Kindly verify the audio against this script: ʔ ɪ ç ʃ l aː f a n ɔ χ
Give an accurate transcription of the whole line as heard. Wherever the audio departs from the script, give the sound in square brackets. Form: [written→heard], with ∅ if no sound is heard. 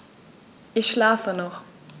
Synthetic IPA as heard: ʔ ɪ ç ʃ l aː f [a→ə] n ɔ χ